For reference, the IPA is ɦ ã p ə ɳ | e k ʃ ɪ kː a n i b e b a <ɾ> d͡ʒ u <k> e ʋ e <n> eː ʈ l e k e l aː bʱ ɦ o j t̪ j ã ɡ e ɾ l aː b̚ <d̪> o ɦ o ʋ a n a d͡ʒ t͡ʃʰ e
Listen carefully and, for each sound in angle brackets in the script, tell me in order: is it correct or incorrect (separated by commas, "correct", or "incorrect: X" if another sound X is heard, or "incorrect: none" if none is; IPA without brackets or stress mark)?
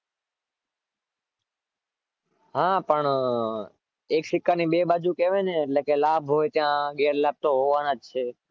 incorrect: none, correct, correct, incorrect: t̪